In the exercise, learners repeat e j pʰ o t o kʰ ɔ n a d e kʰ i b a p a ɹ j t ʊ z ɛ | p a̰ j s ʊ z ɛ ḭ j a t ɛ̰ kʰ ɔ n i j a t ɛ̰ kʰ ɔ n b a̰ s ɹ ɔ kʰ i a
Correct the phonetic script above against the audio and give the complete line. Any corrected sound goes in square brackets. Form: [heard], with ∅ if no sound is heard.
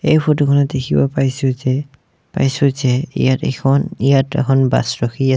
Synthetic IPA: e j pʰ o t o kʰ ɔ n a d e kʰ i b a p a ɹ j [s] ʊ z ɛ | p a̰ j s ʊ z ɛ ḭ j a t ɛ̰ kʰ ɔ n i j a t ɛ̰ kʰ ɔ n b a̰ s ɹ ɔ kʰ i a